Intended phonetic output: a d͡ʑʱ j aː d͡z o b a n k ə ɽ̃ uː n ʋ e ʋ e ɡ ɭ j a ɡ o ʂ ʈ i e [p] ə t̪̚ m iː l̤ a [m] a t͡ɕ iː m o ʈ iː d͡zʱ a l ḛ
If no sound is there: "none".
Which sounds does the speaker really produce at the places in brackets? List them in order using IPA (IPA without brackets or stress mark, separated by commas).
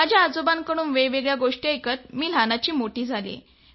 k, n